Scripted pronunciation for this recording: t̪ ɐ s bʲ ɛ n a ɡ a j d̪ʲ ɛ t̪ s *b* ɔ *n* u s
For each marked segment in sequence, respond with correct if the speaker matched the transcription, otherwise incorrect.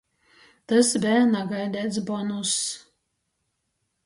correct, correct

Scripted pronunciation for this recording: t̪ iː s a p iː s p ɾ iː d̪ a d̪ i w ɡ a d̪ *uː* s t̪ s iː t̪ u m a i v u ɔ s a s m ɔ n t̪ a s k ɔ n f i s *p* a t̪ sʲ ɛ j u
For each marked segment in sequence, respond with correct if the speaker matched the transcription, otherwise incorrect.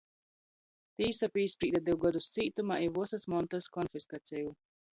incorrect, incorrect

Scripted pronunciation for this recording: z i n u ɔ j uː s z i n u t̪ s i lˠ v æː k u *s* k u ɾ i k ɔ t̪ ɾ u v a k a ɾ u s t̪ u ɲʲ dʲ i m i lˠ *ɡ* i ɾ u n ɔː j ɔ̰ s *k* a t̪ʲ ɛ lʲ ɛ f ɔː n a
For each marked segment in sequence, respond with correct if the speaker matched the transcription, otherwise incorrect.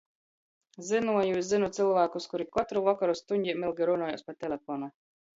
correct, correct, incorrect

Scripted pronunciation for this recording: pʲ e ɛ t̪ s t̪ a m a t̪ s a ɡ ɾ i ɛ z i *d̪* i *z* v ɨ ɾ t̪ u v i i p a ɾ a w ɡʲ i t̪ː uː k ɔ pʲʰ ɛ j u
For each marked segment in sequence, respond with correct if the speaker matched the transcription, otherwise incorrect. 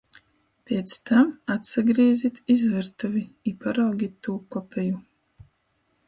incorrect, correct

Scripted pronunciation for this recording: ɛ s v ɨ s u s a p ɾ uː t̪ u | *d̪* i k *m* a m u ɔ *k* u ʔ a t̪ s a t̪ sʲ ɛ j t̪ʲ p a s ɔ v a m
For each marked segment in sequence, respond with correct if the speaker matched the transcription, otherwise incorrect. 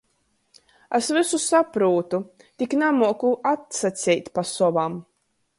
incorrect, incorrect, correct

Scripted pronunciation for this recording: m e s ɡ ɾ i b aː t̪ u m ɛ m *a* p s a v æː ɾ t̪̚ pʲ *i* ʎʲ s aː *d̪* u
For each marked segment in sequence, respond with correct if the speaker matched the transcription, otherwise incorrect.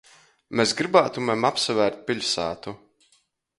correct, correct, incorrect

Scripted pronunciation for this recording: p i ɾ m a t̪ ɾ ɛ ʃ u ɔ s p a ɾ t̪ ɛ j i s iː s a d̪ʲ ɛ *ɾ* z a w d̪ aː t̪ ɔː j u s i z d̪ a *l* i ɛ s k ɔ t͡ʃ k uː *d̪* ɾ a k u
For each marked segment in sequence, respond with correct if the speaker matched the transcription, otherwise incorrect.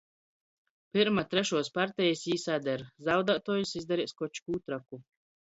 correct, incorrect, incorrect

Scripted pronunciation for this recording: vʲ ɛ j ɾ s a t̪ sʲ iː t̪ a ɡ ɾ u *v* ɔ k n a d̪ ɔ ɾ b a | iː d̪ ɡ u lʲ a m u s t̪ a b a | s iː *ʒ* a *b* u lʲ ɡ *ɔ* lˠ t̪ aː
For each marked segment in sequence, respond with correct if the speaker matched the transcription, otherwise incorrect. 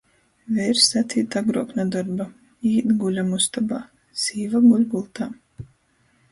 incorrect, incorrect, incorrect, incorrect

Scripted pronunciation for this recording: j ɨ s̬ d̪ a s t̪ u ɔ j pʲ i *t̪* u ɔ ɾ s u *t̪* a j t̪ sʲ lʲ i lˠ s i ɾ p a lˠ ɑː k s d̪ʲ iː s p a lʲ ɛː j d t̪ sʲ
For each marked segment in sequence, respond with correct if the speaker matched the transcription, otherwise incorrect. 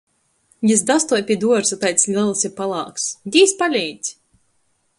incorrect, correct

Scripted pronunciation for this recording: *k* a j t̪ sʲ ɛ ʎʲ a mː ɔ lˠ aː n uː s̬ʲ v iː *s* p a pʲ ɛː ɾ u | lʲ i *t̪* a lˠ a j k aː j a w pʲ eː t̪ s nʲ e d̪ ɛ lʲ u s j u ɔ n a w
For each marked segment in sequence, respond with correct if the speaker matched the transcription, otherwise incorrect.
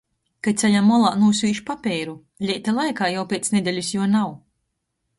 correct, incorrect, correct

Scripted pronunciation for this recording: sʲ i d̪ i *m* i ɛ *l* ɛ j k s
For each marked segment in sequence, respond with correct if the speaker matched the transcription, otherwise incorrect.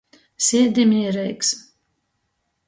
correct, incorrect

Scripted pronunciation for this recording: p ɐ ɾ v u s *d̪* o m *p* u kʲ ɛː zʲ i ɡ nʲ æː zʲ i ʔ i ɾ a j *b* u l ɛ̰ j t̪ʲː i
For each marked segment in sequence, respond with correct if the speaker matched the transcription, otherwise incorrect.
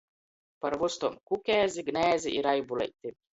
incorrect, incorrect, correct

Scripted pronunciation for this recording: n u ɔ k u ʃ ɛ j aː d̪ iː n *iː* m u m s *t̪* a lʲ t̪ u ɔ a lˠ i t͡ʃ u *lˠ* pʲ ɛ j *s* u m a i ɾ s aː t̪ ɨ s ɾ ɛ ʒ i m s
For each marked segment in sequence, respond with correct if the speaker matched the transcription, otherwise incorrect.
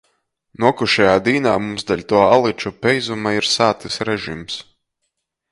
incorrect, incorrect, incorrect, incorrect

